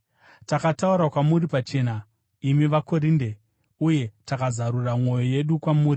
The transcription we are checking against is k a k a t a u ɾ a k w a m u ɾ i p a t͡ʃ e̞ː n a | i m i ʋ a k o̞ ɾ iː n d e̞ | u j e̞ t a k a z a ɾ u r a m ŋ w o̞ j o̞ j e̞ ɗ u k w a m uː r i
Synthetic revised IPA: t a k a t a u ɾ a k w a m u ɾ i p a t͡ʃ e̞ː n a | i m i ʋ a k o̞ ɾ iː n d e̞ | u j e̞ t a k a z a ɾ u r a m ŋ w o̞ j o̞ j e̞ ɗ u k w a m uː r i

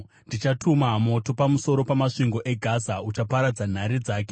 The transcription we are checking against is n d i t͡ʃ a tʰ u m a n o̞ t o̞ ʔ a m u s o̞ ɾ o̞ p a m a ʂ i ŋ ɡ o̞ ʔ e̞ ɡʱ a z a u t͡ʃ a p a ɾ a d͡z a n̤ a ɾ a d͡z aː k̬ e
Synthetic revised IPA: n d i t͡ʃ a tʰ u m a m o̞ t o̞ p a m u s o̞ ɾ o̞ p a m a ʂ i ŋ ɡ o̞ ʔ e̞ ɡʱ a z a u t͡ʃ a p a ɾ a d͡z a n̤ a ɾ i d͡z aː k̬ e

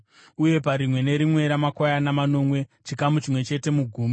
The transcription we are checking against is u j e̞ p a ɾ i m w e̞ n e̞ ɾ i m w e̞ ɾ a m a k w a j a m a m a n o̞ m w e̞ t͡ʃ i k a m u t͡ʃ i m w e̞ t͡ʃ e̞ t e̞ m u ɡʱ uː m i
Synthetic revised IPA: u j e̞ p a ɾ i m w e̞ n e̞ ɾ i m w e̞ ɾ a m a k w a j a n a m a n o̞ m w e̞ t͡ʃ i k a m u t͡ʃ i m w e̞ t͡ʃ e̞ t e̞ m u ɡʱ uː m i

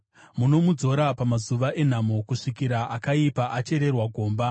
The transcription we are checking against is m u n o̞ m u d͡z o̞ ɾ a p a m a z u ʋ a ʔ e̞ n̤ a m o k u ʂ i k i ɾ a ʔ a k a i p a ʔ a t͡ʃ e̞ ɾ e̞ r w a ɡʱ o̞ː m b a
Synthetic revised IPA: m u n o̞ m u d͡z o̞ ɾ a p a m a z u ʋ a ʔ e̞ n̤ a m o k u ʂ i k i ɾ a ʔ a k a i p a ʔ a t͡ʃ e̞ ɾ e̞ r w a ɡʱ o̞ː m b a

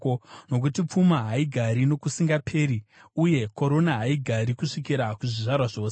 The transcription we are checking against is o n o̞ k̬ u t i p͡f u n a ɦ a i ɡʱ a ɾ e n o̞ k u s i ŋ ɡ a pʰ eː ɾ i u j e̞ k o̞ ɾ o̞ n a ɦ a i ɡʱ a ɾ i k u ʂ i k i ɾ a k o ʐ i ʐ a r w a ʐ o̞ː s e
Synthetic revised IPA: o n o̞ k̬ u t i p͡f u m a ɦ a i ɡʱ a ɾ i n o̞ k u s i ŋ ɡ a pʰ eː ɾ i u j e̞ k o̞ ɾ o̞ n a ɦ a i ɡʱ a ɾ i k u ʂ i k i ɾ a k u ʐ i ʐ a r w a ʐ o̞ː s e

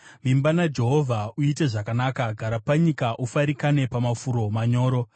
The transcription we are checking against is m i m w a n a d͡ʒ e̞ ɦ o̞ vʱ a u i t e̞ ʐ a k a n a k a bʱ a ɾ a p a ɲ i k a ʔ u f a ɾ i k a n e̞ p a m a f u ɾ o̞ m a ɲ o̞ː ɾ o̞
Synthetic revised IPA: m i m b a n a d͡ʒ e̞ ɦ o̞ vʱ a u i t e̞ ʐ a k a n a k a ɡʱ a ɾ a p a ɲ i k a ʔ u f a ɾ i k a n e̞ p a m a f u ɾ o̞ m a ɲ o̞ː ɾ o̞

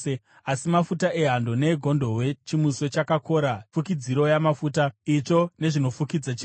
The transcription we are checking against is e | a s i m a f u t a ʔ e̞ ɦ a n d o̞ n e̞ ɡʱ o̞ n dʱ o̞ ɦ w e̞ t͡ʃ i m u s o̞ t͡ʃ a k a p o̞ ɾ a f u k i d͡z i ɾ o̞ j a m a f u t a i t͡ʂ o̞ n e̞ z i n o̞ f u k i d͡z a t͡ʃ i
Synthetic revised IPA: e | a s i m a f u t a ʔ e̞ ɦ a n d o̞ n e̞ ɡʱ o̞ n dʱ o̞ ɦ w e̞ t͡ʃ i m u s o̞ t͡ʃ a k a k o̞ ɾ a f u k i d͡z i ɾ o̞ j a m a f u t a i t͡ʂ o̞ n e̞ ʐ i n o̞ f u k i d͡z a t͡ʃ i

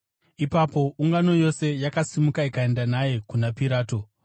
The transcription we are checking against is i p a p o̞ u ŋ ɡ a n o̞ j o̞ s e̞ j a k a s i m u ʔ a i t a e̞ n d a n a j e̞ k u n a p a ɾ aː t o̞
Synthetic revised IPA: i p a p o̞ u ŋ ɡ a n o̞ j o̞ s e̞ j a k a s i m u k a i k a e̞ n d a n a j e̞ k u n a p i ɾ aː t o̞

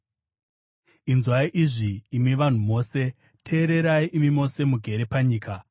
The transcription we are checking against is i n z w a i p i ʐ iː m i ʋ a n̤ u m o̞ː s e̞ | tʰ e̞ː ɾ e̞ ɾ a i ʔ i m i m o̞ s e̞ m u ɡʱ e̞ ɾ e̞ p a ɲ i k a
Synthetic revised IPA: i n z w a i ʔ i ʐ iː m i ʋ a n̤ u m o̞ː s e̞ | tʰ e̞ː ɾ e̞ ɾ a i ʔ i m i m o̞ s e̞ m u ɡʱ e̞ ɾ e̞ p a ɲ iː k a

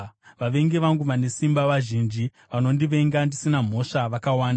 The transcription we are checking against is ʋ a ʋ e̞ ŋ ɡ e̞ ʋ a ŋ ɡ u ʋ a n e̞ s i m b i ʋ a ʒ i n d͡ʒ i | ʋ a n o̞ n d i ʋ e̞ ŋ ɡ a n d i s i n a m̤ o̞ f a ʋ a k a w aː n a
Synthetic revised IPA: ʋ a ʋ e̞ ŋ ɡ e̞ ʋ a ŋ ɡ u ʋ a n e̞ s i m b a ʋ a ʒ i n d͡ʒ i | ʋ a n o̞ n d i ʋ e̞ ŋ ɡ a n d i s i n a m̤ o̞ ʂ a ʋ a k a w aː n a

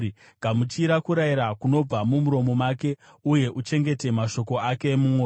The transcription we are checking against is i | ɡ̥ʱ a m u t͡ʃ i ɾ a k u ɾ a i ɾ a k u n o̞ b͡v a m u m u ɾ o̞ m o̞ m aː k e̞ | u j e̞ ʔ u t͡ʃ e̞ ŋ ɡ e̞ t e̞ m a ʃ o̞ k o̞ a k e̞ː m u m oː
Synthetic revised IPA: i | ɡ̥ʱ a m u t͡ʃ i ɾ a k u ɾ a i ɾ a k u n o̞ b͡v a m u m u ɾ o̞ m o̞ m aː k e̞ | u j e̞ ʔ u t͡ʃ e̞ ŋ ɡ e̞ t e̞ m a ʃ o̞ k o̞ a k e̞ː m u m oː

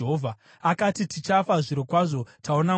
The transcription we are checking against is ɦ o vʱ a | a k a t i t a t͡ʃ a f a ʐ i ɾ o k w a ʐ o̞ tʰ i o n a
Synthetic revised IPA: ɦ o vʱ a | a k a t i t i t͡ʃ a f a ʐ i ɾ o k w a ʐ o̞ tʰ a o n a

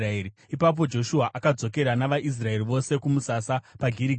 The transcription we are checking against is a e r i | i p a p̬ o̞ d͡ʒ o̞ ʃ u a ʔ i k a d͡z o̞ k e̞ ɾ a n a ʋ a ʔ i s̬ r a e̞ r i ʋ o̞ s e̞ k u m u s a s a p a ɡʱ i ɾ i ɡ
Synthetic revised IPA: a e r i | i p a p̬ o̞ d͡ʒ o̞ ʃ u a ʔ a k a d͡z o̞ k e̞ ɾ a n a ʋ a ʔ i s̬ r a e̞ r i ʋ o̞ s e̞ k u m u s a s a p a ɡʱ i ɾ i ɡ

